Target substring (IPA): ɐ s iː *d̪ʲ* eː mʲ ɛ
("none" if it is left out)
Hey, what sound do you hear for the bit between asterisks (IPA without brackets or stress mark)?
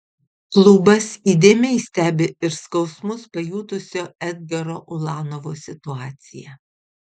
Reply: d̪ʲ